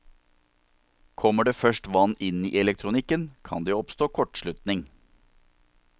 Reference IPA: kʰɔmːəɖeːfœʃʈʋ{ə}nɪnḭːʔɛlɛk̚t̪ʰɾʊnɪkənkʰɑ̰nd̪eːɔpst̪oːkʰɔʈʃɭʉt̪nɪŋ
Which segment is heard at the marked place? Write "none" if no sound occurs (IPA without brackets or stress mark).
ɑ